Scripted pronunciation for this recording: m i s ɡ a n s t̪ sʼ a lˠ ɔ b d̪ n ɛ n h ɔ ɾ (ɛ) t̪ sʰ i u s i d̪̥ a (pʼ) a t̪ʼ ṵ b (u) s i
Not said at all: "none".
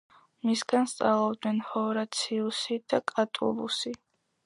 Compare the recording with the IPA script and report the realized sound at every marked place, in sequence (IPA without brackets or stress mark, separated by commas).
a, kʼ, u